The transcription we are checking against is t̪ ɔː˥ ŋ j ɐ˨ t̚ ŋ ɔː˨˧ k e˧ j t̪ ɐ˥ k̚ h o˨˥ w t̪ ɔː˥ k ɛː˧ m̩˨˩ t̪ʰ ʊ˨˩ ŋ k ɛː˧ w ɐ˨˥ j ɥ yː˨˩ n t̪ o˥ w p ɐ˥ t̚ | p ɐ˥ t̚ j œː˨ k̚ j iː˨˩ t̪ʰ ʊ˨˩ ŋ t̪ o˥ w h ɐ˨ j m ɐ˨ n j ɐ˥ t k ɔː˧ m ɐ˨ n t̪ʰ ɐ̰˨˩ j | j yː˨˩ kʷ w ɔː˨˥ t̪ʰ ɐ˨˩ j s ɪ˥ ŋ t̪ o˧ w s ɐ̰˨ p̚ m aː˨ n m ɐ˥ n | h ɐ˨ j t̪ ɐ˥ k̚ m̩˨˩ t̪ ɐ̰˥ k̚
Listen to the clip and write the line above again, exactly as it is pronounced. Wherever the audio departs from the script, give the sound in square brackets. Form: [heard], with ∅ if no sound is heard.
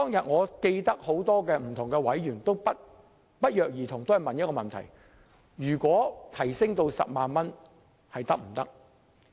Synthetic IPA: t̪ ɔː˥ ŋ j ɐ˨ t̚ ŋ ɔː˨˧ k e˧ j t̪ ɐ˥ k̚ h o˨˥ w t̪ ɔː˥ k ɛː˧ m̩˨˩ t̪ʰ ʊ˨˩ ŋ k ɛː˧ w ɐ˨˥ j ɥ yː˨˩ n t̪ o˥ w p ɐ˥ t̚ | p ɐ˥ t̚ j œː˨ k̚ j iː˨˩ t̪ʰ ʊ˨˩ ŋ t̪ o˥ w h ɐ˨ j m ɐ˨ n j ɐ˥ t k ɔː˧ m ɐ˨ n t̪ʰ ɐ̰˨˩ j | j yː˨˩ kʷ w ɔː˨˥ t̪ʰ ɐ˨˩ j s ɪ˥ ŋ t̪ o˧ w s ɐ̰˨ p̚ m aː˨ n m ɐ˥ n | h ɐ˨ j t̪ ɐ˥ k̚ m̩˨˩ t̪ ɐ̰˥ k̚